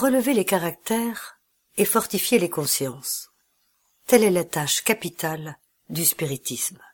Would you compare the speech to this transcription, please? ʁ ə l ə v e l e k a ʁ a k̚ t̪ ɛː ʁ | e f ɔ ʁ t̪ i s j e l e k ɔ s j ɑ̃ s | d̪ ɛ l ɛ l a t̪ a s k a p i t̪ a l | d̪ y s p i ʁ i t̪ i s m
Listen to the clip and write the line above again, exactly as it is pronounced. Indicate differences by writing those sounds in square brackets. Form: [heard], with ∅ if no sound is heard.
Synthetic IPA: ʁ ə l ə v e l e k a ʁ a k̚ t̪ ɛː ʁ | e f ɔ ʁ t̪ i [f] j e l e k [ɔ̃] s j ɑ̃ s | [t̪] ɛ l ɛ l a t̪ a [ʃ] k a p i t̪ a l | d̪ y s p i ʁ i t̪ i s m